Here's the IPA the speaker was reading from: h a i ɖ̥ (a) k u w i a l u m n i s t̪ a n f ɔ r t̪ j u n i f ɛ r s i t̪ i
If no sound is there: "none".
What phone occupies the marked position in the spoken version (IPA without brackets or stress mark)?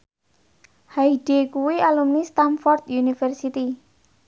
e